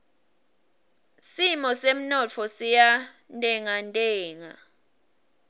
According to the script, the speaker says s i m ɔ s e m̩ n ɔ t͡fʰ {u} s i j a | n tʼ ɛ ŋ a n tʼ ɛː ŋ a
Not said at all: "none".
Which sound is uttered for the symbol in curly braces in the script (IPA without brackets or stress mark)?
ɔ